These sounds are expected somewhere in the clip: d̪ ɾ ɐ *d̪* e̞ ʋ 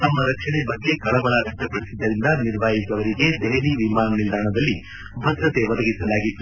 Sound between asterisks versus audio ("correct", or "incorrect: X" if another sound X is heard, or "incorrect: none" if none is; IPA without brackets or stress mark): incorrect: t̪